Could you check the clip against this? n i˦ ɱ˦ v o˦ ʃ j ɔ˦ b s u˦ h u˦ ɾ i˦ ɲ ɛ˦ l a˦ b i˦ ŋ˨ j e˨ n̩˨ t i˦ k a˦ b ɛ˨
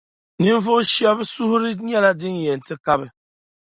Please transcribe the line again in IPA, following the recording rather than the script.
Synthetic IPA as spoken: n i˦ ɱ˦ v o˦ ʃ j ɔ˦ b s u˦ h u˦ ɾ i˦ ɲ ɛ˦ l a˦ d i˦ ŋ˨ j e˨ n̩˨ t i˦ k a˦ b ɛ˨